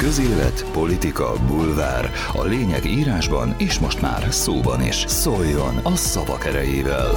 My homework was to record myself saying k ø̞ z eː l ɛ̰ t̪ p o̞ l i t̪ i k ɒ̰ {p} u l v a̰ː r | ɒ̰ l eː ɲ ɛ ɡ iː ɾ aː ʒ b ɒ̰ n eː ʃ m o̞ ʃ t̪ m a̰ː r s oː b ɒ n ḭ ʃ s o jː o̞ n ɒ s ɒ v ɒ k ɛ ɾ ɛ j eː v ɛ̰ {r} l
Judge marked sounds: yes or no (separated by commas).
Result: no, no